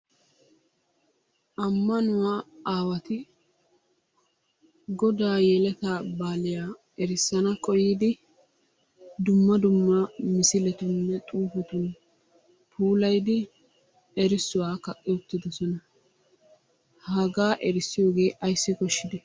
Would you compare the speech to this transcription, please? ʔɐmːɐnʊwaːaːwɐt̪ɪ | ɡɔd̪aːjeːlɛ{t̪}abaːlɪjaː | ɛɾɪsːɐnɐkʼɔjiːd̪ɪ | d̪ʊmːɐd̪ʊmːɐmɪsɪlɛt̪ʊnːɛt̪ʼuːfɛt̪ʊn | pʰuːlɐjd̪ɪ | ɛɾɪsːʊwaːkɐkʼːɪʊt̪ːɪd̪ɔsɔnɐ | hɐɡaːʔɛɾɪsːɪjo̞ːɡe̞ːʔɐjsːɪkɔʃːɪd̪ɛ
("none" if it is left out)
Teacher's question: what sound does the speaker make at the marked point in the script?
t̪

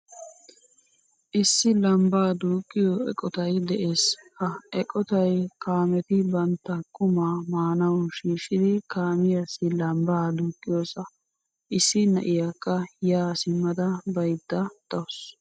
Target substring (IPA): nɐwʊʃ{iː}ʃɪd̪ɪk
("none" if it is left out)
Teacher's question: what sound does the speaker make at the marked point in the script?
iː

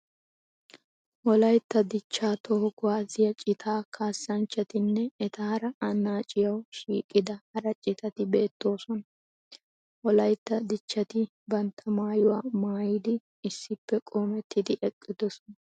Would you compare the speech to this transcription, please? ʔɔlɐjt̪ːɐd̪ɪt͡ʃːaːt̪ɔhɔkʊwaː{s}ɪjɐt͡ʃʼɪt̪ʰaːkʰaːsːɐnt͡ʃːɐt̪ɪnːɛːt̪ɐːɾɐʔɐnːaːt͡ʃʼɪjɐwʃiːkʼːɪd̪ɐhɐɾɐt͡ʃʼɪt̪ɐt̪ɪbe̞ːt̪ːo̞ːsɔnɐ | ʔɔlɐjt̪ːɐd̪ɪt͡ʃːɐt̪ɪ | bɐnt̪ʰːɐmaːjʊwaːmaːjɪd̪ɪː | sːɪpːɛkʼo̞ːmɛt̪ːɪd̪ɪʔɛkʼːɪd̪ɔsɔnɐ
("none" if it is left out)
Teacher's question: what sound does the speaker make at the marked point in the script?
z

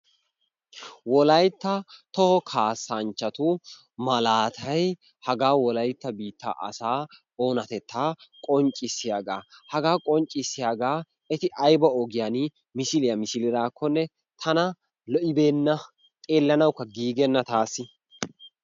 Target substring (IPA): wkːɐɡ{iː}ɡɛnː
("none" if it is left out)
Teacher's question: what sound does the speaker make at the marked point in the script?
iː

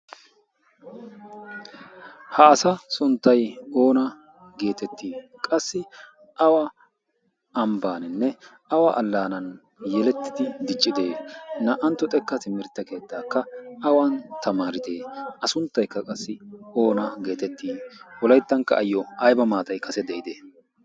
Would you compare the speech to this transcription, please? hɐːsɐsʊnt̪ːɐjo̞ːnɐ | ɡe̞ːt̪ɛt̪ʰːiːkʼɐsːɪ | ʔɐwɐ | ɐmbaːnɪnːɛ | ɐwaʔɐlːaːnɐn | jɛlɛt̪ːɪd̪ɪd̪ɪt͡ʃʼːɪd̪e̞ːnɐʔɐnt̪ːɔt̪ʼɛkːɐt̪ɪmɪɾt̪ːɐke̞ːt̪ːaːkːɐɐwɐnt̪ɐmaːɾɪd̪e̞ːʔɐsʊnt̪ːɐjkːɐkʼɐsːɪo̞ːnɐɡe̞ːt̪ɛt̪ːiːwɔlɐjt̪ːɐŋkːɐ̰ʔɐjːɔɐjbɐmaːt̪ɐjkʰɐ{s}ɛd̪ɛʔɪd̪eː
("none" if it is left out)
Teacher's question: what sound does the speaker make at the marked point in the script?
s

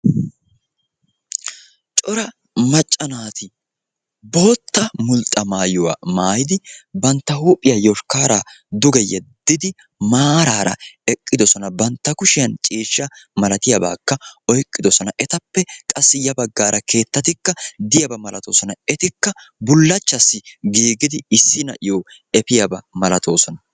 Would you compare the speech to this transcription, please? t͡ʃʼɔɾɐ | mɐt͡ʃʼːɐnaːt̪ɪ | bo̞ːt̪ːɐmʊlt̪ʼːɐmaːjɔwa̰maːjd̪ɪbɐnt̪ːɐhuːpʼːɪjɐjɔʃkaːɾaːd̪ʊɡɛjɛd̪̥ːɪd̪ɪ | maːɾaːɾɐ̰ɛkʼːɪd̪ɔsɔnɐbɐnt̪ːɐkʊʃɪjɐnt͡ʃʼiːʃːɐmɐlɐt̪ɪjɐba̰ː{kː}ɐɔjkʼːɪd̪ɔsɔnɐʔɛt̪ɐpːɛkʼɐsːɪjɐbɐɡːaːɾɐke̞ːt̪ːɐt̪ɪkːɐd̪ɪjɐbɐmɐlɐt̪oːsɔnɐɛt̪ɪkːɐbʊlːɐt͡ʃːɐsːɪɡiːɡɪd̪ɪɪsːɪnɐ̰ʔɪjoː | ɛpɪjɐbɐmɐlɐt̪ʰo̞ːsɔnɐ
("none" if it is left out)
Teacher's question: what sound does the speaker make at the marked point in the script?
kː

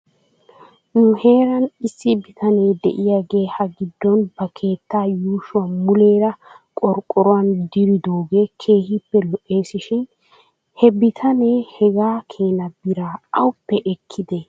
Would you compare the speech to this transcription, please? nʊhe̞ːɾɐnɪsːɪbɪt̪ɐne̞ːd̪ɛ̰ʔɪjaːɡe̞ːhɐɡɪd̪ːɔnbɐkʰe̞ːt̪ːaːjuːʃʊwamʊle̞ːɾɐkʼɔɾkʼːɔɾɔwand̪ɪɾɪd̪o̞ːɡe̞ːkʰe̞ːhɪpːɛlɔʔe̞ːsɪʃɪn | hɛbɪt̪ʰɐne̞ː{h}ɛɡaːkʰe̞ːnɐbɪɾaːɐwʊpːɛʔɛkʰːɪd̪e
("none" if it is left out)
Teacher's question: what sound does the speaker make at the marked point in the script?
h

